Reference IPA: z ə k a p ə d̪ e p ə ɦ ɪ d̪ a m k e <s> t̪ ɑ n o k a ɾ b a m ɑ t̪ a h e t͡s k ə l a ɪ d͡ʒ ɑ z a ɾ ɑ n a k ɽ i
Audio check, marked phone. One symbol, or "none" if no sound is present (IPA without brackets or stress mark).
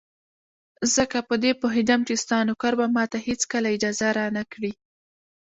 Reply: s